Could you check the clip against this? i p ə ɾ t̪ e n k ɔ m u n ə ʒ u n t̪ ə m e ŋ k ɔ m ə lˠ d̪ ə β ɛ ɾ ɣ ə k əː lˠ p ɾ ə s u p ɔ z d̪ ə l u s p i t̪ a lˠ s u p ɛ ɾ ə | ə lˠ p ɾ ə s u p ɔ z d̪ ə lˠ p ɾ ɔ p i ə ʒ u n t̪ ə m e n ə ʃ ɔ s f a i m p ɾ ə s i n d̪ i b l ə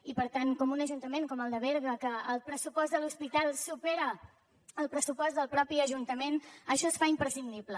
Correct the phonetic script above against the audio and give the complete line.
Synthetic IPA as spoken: i p ə ɾ t̪ a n k ɔ m u n ə ʒ u n t̪ ə m e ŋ k ɔ m ə lˠ d̪ ə β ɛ ɾ ɣ ə k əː lˠ p ɾ ə s u p ɔ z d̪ ə l u s p i t̪ a lˠ s u p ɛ ɾ ə | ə lˠ p ɾ ə s u p ɔ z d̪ ə lˠ p ɾ ɔ p i ə ʒ u n t̪ ə m e n ə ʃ ɔ s f a i m p ɾ ə s i n d̪ i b l ə